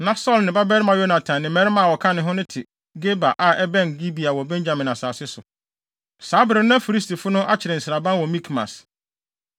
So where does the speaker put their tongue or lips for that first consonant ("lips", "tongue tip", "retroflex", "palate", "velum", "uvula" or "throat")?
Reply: tongue tip